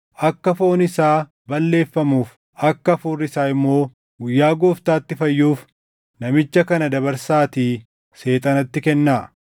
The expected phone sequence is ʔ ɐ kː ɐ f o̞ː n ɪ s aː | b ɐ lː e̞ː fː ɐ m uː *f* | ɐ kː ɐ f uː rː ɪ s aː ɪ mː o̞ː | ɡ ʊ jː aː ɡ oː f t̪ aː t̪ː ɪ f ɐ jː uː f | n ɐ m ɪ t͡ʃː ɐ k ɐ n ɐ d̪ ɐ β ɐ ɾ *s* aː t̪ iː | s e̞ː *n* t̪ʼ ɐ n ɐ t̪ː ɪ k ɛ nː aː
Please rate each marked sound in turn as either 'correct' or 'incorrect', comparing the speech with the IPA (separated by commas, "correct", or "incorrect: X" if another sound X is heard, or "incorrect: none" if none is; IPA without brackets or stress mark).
correct, correct, incorrect: none